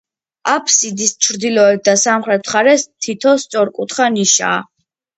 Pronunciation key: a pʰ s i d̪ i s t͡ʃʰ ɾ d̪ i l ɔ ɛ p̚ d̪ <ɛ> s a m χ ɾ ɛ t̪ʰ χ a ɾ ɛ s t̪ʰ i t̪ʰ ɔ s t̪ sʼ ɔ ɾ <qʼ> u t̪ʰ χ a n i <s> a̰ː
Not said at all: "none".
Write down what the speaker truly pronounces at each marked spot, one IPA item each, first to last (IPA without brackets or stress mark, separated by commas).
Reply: a, kʼ, ʃ